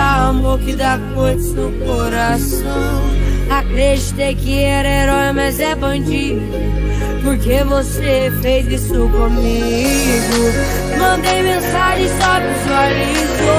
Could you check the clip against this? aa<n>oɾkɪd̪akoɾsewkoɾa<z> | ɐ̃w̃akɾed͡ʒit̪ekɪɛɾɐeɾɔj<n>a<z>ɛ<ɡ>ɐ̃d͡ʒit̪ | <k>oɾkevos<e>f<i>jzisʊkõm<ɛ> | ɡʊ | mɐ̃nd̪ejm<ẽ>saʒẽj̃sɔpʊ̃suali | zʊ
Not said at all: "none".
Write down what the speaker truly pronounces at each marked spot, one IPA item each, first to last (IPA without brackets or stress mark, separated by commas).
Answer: m, s, m, z, b, p, e, e, i, ẽ